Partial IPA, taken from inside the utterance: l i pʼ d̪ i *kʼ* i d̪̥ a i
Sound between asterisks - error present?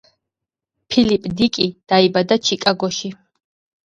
no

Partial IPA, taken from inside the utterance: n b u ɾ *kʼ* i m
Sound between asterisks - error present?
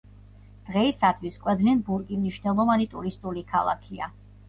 no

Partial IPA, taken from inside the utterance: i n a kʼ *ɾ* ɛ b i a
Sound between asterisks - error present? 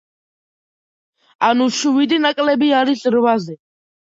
yes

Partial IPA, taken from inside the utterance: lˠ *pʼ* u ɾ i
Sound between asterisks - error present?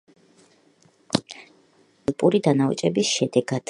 no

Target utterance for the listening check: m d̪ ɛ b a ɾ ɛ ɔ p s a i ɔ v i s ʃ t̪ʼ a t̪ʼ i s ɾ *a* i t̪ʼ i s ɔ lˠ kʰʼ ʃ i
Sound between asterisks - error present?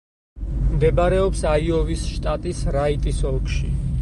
no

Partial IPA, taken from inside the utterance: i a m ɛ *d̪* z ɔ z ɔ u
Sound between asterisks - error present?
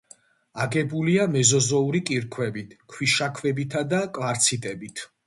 yes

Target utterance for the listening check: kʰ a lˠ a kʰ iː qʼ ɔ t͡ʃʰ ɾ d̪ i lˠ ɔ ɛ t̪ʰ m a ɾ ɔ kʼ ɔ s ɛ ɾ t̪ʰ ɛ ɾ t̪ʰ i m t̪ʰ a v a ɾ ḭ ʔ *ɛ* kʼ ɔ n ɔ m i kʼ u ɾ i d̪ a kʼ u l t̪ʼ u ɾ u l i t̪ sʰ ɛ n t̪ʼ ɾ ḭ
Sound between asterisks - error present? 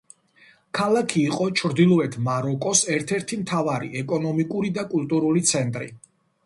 no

